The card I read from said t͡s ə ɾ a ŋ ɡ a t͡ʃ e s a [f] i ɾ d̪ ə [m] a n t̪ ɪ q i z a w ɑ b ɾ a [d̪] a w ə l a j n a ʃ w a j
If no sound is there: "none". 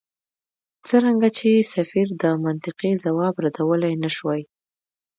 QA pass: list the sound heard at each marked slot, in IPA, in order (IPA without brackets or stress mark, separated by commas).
f, m, d̪